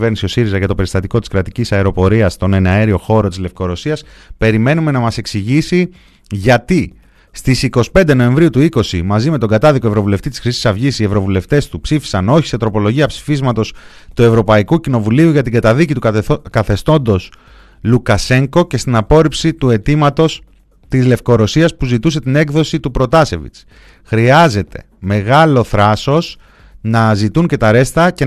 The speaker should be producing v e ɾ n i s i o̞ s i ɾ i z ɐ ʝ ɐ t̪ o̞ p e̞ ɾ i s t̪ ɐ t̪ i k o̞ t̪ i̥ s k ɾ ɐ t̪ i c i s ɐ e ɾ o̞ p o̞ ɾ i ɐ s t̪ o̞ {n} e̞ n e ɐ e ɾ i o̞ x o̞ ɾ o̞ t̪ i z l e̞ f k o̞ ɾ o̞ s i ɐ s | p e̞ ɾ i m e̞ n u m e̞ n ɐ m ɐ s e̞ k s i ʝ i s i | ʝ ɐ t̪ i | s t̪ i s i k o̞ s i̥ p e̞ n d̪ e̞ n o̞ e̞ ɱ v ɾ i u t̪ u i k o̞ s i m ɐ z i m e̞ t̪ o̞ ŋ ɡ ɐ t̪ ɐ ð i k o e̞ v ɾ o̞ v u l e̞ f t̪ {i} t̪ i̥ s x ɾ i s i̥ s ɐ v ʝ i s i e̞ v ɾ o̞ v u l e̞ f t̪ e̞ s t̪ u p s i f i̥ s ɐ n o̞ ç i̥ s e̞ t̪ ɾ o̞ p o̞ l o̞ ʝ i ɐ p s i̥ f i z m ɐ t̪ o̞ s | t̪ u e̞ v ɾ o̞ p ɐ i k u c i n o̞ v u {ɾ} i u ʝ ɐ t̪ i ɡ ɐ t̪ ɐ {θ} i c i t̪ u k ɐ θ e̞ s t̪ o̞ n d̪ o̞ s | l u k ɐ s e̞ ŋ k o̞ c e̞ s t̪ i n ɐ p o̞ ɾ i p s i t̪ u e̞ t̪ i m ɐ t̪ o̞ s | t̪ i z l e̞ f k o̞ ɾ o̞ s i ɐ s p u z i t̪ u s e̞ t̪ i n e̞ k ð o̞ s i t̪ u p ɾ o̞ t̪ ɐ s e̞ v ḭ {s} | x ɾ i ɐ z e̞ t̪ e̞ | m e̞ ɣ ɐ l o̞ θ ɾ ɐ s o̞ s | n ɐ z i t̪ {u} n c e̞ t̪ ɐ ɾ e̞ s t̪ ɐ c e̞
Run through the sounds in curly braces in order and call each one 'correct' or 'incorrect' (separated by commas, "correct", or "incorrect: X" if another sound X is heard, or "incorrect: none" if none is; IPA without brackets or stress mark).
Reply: correct, correct, incorrect: l, incorrect: ð, incorrect: t͡s, correct